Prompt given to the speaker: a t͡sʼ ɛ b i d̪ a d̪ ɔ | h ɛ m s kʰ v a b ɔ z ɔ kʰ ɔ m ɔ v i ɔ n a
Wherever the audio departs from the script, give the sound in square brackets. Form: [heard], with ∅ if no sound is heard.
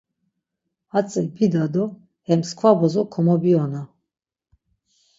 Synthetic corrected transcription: a t͡sʼ ɛ b i d̪ a d̪ ɔ | h ɛ m s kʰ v a b ɔ z ɔ kʰ ɔ m ɔ [b] i ɔ n a